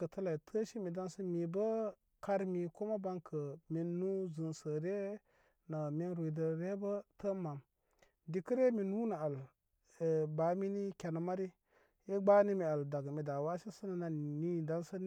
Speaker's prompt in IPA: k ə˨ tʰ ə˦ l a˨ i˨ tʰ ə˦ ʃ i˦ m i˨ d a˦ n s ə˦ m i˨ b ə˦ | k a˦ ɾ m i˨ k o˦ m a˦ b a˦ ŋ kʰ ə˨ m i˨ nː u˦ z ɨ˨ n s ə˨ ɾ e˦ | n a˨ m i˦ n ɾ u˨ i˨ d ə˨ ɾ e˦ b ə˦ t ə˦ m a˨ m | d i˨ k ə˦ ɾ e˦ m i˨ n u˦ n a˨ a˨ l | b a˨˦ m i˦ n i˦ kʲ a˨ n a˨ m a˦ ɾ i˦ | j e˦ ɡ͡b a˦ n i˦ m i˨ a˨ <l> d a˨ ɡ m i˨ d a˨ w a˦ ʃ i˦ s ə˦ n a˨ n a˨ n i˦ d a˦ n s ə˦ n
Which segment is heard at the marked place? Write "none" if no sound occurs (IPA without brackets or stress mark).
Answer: l